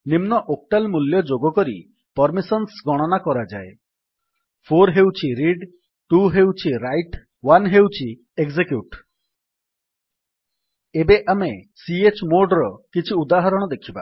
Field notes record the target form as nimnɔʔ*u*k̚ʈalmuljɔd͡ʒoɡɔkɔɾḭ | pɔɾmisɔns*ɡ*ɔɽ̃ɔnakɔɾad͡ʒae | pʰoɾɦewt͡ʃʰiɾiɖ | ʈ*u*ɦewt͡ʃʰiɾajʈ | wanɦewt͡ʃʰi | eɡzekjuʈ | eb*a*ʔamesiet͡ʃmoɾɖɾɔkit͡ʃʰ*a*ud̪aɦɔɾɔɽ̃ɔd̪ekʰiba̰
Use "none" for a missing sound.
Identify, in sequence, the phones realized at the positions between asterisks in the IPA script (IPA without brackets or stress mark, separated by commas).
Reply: o, ɡ, u, e, i